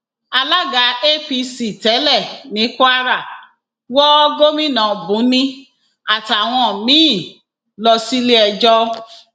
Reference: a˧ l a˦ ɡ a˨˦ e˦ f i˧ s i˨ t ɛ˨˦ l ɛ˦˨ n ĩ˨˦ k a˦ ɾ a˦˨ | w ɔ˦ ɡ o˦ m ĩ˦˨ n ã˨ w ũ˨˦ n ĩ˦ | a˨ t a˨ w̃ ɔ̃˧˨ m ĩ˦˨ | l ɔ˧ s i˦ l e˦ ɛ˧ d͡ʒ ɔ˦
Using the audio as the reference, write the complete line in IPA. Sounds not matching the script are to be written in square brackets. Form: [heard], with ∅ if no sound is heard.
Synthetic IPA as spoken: a˧ l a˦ ɡ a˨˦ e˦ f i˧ s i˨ t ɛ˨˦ l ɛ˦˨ n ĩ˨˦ k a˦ ɾ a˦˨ | w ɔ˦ ɡ o˦ m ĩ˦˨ n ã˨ [b] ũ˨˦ n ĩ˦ | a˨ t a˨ w̃ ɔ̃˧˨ m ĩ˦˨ | l ɔ˧ s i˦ l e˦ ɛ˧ d͡ʒ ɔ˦